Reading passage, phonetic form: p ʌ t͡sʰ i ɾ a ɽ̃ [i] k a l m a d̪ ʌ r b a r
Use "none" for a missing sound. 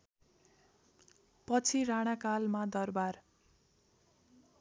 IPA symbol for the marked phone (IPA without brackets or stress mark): a